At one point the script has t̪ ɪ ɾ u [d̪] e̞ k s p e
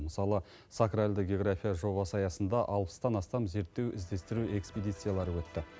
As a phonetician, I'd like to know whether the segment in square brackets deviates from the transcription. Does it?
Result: yes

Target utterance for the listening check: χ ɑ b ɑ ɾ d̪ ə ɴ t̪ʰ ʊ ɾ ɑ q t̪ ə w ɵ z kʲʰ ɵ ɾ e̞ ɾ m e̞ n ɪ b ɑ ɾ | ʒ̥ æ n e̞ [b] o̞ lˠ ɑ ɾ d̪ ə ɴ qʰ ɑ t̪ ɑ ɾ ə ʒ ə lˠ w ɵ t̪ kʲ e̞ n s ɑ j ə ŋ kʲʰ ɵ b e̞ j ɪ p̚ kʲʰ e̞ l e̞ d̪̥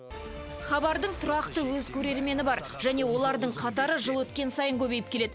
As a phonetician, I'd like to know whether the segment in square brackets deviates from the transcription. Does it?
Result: yes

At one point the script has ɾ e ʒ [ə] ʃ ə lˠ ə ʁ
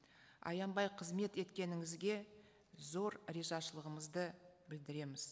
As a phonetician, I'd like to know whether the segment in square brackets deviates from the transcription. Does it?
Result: yes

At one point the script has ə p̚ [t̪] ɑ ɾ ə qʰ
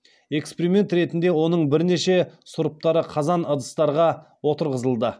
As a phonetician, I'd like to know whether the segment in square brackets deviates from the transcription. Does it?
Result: no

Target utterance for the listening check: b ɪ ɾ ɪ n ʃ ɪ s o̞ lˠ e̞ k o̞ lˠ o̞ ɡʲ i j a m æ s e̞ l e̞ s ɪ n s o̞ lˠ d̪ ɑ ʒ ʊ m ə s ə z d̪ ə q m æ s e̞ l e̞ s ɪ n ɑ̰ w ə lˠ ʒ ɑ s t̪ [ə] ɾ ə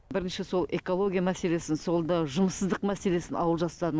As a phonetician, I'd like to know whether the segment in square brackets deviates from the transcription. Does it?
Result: yes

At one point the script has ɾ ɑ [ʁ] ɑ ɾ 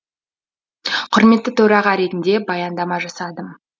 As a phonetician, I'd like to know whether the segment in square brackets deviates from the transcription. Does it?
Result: no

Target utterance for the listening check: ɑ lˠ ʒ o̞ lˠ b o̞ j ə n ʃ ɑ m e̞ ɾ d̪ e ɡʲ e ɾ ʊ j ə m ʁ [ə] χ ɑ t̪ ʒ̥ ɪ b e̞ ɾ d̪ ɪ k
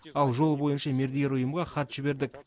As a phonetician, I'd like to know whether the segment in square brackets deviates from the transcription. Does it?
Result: yes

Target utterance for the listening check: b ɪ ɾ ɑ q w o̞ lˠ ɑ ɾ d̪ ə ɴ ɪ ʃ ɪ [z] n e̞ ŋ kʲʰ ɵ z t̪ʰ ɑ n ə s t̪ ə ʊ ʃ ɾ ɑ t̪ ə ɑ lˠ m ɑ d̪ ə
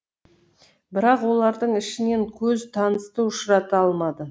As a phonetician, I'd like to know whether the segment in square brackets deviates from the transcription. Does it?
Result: yes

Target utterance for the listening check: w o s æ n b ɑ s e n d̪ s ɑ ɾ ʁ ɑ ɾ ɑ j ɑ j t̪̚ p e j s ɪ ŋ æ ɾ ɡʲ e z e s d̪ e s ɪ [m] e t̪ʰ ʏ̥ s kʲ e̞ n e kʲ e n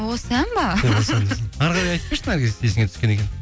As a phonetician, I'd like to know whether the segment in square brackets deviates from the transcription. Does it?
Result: yes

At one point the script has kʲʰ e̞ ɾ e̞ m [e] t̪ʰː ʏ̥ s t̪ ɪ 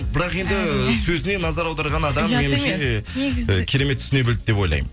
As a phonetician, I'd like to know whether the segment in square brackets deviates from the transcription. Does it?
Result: no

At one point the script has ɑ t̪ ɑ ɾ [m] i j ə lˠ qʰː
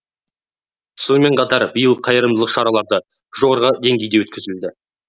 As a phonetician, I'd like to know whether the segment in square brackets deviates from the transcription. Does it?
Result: yes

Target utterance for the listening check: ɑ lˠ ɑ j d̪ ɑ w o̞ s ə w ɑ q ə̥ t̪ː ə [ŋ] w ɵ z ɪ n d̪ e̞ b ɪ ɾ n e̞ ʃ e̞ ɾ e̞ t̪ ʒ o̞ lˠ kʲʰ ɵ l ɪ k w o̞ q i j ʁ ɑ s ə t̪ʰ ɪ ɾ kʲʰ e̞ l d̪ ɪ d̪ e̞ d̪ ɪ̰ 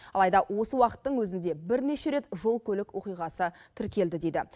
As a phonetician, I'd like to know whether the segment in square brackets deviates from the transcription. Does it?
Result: yes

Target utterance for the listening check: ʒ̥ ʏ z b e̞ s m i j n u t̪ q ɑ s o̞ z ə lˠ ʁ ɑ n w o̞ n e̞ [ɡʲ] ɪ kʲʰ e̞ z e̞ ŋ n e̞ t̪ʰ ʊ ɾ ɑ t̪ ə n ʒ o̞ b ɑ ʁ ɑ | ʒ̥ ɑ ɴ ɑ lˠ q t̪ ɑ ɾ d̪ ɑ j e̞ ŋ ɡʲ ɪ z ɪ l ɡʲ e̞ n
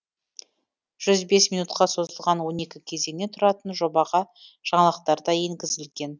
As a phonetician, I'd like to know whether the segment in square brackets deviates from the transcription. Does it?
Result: yes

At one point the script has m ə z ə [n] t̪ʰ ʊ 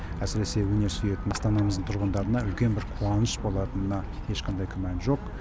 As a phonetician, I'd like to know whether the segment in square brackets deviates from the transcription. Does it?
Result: yes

